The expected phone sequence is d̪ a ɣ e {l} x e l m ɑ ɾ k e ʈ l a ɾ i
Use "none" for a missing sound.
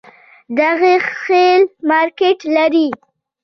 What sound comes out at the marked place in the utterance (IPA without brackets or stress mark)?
none